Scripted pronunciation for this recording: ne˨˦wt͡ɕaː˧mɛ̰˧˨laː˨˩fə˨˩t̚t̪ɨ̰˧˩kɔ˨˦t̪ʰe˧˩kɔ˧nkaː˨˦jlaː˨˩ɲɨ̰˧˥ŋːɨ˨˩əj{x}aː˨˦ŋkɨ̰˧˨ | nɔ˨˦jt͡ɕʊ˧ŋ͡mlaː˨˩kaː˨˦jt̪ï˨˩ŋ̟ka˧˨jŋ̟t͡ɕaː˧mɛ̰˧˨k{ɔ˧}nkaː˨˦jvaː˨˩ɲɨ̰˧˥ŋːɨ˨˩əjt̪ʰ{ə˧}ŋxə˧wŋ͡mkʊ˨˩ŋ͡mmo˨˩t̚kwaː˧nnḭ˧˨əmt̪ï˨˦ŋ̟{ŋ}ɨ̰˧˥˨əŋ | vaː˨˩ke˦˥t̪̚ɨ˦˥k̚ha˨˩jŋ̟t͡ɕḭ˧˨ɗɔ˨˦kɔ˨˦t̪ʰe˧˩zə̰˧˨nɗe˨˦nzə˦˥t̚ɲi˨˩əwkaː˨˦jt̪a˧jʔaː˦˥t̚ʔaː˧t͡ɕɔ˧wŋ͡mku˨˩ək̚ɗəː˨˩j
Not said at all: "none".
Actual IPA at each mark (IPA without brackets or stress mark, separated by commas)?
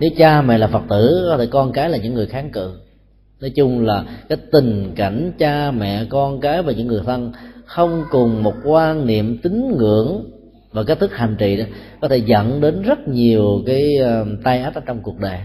x, ɔ˧, ə˧, ŋ